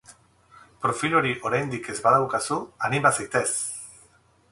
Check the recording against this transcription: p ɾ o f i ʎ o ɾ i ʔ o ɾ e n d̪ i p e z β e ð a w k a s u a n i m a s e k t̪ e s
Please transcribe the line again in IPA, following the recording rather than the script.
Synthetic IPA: p ɾ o f i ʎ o ɾ i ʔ o ɾ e n d̪ i k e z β a ð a w k a s u a n i m a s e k t̪ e s

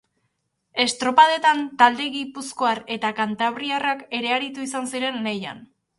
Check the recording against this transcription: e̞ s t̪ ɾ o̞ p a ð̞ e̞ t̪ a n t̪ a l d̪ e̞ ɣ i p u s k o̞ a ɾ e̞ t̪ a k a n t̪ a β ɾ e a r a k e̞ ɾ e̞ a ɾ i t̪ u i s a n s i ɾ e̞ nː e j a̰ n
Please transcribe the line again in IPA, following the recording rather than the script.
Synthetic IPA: e̞ s t̪ ɾ o̞ p a ð̞ e̞ t̪ a n t̪ a l d̪ e̞ ɣ i p u s k o̞ a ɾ e̞ t̪ a k a n t̪ a β ɾ i a r a k e̞ ɾ e̞ a ɾ i t̪ u i s a n s i ɾ e̞ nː e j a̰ n

